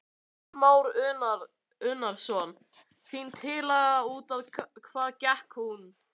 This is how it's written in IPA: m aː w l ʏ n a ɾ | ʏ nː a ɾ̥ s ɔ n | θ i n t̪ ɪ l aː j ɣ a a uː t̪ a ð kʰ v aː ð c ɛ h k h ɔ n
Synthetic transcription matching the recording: m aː w ɾ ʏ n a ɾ | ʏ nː a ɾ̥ s ɔ n | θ i n t̪ʰ ɪ l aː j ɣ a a uː t̪ a ð kʰ v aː ð c ɛ h k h u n